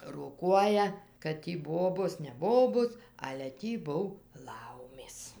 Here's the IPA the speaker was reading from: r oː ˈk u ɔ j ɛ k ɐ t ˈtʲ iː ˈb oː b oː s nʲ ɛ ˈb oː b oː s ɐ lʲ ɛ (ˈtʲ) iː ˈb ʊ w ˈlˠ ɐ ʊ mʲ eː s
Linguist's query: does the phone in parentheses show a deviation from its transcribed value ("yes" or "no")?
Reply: no